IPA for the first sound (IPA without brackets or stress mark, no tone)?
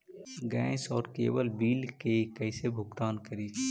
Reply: ɡ